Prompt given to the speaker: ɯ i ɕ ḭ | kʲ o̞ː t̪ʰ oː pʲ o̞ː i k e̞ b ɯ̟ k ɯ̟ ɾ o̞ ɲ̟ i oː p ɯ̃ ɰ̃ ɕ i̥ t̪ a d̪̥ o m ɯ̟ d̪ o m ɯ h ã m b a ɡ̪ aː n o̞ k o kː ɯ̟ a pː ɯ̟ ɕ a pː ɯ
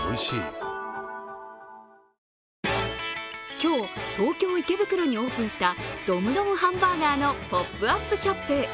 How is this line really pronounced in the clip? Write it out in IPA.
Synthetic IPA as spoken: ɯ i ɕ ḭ | kʲ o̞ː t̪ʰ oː kʲ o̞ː i k e̞ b ɯ̟ k ɯ̟ ɾ o̞ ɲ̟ i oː p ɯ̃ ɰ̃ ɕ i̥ t̪ a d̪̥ o m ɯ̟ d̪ o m ɯ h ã m b a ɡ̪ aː n o̞ p o pː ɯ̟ a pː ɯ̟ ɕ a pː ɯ

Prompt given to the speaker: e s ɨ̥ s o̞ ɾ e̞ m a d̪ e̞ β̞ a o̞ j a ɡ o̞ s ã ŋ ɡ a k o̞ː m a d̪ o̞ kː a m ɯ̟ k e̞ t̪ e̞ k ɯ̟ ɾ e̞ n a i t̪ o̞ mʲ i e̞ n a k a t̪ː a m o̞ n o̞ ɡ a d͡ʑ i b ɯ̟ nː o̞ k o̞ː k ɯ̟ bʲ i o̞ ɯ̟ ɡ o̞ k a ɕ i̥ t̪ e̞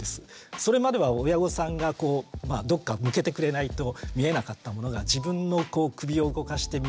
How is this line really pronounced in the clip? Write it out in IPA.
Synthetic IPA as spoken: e s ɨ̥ s o̞ ɾ e̞ m a d̪ e̞ β̞ a o̞ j a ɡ o̞ s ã ŋ ɡ a k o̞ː m a d̪ o̞ kː a m ɯ̟ k e̞ t̪ e̞ k ɯ̟ ɾ e̞ n a i t̪ o̞ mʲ i e̞ n a k a t̪ː a m o̞ n o̞ ɡ a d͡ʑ i b ɯ̟̃ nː o̞ k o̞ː k ɯ̟ bʲ i o̞ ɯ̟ ɡ o̞ k a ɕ i̥ t̪ e̞

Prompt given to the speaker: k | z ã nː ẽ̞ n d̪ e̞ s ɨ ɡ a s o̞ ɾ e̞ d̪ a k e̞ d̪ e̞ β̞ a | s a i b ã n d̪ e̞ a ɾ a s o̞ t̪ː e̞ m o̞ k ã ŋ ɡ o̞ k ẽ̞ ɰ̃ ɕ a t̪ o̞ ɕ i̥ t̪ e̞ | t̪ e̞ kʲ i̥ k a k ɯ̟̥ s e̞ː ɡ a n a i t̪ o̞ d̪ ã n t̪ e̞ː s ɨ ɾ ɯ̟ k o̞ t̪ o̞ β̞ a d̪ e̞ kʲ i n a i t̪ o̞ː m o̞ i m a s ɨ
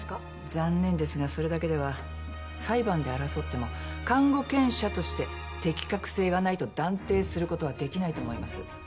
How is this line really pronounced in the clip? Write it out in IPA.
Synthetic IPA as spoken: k | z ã nː ẽ̞ n d̪ e̞ s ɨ ɡ a s o̞ ɾ e̞ d̪ a k e̞ d̪ e̞ β̞ a | s a i b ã n d̪ e̞ a ɾ a s o̞ t̪ː e̞ m o̞ k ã ŋ ɡ o̞ k ẽ̞ ɰ̃ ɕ a t̪ o̞ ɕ i̥ t̪ e̞ | t̪ e̞ kʲ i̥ k a k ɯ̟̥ s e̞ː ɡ a n a i t̪ o̞ d̪ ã n t̪ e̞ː s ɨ ɾ ɯ̟ k o̞ t̪ o̞ β̞ a d̪ e̞ kʲ i n a i t̪ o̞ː m o̞ i m a s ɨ

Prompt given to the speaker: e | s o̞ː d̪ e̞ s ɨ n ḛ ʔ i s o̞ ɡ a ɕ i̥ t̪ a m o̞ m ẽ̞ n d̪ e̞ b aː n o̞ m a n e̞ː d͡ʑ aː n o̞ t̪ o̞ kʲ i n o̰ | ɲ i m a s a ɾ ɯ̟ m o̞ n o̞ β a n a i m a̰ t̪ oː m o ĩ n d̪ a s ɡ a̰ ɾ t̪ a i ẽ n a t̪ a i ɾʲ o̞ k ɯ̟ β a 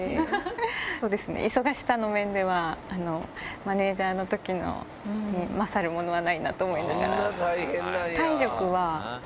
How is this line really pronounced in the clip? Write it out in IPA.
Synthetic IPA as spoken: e | s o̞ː d̪ e̞ s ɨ n ḛ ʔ i s o̞ ɡ a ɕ i̥ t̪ a n o̞ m ẽ̞ n d̪ e̞ β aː n o̞ m a n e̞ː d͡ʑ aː n o̞ t̪ o̞ kʲ i n o̰ | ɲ i m a s a ɾ ɯ̟ m o̞ n o̞ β a n a i n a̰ t̪ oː m o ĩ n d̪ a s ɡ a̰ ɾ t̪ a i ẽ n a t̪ a i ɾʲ o̞ k ɯ̟ β a

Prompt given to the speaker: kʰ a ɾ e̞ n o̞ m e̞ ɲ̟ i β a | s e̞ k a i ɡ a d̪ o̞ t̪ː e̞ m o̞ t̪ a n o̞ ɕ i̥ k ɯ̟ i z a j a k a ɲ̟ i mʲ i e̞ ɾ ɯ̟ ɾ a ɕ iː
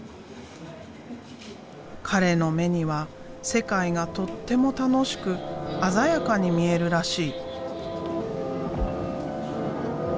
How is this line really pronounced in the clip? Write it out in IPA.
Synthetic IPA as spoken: kʰ a ɾ e̞ n o̞ m e̞ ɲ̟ i β a | s e̞ k a i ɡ a t̪ o̞ t̪ː e̞ m o̞ t̪ a n o̞ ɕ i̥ k ɯ̟ a z a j a k a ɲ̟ i mʲ i e̞ ɾ ɯ̟ ɾ a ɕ iː

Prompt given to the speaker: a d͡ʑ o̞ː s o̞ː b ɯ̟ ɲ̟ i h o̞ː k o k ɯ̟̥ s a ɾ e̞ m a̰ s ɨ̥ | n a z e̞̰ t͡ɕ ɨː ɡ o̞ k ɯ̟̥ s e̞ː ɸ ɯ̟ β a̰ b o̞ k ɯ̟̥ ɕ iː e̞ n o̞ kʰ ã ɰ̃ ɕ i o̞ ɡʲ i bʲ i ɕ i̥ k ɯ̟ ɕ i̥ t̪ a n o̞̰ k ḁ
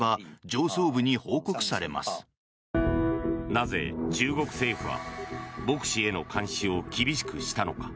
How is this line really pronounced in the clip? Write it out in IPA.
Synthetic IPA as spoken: a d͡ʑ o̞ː s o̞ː b ɯ̟ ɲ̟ i h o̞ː k o k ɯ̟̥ s a ɾ e̞ m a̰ s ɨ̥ | n a z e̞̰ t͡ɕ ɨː ɡ o̞ k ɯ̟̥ s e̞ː ɸ ɯ̟ β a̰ b o̞ k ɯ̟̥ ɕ i e̞ n o̞ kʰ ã ɰ̃ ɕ i o̞ kʲ i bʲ i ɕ i̥ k ɯ̟ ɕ i̥ t̪ a n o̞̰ k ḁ

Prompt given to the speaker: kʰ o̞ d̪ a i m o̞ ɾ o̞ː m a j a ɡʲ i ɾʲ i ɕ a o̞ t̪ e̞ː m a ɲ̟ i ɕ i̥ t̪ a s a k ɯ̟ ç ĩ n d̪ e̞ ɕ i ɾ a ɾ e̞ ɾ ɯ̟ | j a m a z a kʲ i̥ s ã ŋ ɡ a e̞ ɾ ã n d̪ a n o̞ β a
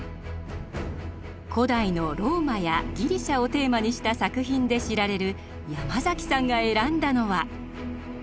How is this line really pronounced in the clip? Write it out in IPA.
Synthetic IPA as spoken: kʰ o̞ d̪ a i n o̞ ɾ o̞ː m a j a ɡʲ i ɾʲ i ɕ a o̞ t̪ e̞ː m a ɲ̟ i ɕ i̥ t̪ a s a k ɯ̟ ç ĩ n d̪ e̞ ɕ i ɾ a ɾ e̞ ɾ ɯ̟ | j a m a z a kʲ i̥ s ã ŋ ɡ a e̞ ɾ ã n d̪ a n o̞ β a

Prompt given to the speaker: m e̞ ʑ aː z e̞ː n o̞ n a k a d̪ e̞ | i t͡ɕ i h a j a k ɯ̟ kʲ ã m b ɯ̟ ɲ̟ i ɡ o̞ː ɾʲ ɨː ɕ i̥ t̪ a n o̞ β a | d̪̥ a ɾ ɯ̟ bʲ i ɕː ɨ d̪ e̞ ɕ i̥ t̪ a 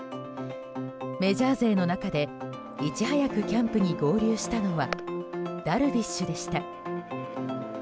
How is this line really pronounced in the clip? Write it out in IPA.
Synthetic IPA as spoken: m e̞ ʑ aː z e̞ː n o̞ n a k a d̪ e̞ | i t͡ɕ i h a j a k ɯ̟ kʲ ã m p ɯ̟ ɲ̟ i ɡ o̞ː ɾʲ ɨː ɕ i̥ t̪ a n o̞ β a | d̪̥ a ɾ ɯ̟ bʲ i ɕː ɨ d̪ e̞ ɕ i̥ t̪ a

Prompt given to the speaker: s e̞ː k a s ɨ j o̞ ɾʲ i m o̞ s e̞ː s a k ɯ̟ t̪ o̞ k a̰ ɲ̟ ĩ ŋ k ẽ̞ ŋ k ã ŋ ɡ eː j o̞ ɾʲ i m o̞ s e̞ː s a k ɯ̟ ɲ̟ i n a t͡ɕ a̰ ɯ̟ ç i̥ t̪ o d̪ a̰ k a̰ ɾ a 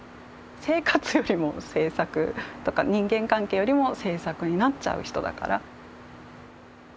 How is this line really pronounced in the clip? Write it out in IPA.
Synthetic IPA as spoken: s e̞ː k a t͡s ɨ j o̞ ɾʲ i m o̞ s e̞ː s a k ɯ̟ t̪ o̞ k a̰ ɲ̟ ĩ ŋ ɡ ẽ̞ ŋ k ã ŋ k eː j o̞ ɾʲ i m o̞ s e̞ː s a k ɯ̟ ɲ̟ i n a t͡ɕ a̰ ɯ̟ ç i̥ t̪ o d̪ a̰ k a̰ ɾ a

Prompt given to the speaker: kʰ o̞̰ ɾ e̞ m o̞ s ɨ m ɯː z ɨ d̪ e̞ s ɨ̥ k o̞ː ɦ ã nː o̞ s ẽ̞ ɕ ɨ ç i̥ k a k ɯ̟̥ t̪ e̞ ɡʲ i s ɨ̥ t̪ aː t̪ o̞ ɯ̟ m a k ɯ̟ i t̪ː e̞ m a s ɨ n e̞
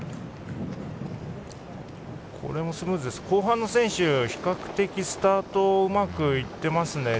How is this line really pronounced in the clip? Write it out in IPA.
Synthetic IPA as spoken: kʰ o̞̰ ɾ e̞ m o̞ s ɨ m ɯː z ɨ d̪ e̞ s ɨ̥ k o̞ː ɦ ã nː o̞ s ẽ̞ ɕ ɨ ç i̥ k a k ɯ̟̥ t̪ e̞ kʲ i s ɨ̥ t̪ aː t̪ o̞ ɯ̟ m a k ɯ̟ i t̪ː e̞ m a s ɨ n e̞

